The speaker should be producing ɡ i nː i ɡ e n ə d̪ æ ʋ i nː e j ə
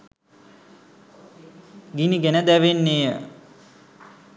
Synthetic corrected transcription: ɡ i n i ɡ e n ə d̪ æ ʋ e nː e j ə